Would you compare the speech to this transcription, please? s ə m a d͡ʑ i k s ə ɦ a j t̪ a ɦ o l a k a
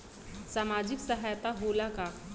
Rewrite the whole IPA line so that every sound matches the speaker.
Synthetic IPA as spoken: s a m a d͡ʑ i k s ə ɦ a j t̪ a ɦ o l a k a